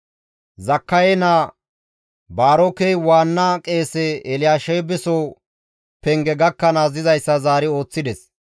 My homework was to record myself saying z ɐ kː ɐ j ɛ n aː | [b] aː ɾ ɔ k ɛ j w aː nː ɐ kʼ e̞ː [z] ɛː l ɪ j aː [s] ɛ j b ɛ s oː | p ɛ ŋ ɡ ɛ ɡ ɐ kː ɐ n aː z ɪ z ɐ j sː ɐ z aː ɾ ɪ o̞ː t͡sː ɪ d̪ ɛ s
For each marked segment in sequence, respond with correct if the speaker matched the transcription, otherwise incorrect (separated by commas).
correct, incorrect, incorrect